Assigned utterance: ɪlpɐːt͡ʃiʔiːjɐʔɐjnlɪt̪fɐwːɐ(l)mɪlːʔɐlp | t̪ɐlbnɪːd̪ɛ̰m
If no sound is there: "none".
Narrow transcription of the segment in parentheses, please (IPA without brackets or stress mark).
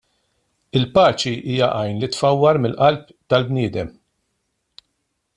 ɾ